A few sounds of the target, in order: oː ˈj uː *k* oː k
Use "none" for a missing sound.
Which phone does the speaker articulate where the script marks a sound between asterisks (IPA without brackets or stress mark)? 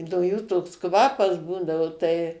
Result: t